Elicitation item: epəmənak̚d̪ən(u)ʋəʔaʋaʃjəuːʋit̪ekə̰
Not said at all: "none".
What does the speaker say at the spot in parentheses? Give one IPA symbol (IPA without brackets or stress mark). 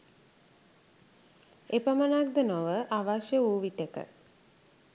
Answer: o